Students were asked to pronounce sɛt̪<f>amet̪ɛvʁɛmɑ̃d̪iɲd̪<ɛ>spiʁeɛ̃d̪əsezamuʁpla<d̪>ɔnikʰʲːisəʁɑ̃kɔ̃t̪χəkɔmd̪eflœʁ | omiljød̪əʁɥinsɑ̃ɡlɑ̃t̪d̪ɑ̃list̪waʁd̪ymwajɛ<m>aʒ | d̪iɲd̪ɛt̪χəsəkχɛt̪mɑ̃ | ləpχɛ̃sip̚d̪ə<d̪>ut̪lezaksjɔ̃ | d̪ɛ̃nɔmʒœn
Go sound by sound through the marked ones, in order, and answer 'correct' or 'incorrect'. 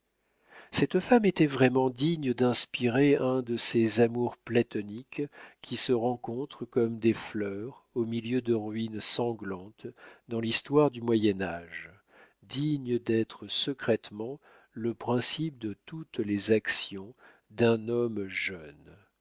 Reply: correct, incorrect: ɛ̃, incorrect: t̪, incorrect: n, incorrect: t̪

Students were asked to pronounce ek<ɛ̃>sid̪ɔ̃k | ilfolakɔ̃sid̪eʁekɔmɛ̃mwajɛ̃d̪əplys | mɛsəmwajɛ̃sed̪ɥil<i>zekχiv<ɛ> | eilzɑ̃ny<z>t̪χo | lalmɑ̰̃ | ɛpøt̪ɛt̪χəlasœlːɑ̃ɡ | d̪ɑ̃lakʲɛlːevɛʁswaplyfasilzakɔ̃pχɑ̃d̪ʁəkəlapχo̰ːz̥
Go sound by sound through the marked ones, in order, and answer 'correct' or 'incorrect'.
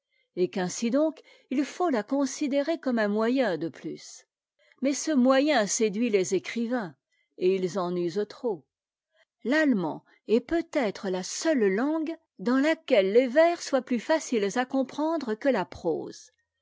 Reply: correct, incorrect: e, incorrect: ɛ̃, correct

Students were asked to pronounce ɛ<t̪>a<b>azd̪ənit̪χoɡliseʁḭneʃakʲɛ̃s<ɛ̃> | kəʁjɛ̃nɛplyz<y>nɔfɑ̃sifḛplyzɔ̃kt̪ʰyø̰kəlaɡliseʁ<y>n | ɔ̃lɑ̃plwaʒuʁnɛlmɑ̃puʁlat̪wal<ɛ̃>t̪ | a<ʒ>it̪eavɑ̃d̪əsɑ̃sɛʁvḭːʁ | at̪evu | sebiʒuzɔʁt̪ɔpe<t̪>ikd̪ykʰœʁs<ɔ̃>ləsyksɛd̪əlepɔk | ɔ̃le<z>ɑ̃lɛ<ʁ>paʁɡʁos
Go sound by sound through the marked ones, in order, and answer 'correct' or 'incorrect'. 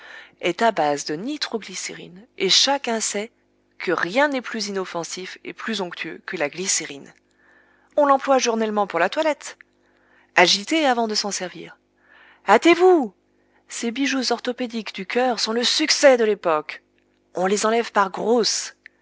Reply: correct, correct, incorrect: ɛ, incorrect: i, incorrect: i, incorrect: ɛ, correct, incorrect: d̪, correct, correct, incorrect: v

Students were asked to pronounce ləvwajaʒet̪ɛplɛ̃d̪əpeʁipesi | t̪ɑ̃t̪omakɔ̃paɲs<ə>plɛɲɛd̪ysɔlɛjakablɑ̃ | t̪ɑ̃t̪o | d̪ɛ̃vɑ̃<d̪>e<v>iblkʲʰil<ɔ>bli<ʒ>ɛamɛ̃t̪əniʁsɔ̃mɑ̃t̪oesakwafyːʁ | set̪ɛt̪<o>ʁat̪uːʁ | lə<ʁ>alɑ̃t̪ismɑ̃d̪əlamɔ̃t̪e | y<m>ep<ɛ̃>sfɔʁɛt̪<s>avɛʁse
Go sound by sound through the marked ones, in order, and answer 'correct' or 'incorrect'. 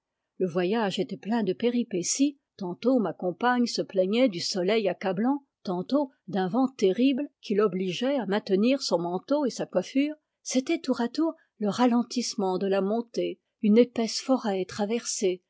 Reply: correct, incorrect: t̪, incorrect: ʁ, correct, correct, incorrect: u, correct, incorrect: n, incorrect: ɛ, incorrect: χ

